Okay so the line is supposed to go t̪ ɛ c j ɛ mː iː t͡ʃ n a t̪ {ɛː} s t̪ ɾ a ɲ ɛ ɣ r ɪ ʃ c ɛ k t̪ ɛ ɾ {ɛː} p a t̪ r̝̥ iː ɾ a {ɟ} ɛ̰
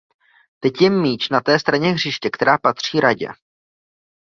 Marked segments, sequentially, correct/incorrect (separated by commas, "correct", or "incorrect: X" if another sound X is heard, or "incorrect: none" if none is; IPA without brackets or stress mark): correct, incorrect: aː, correct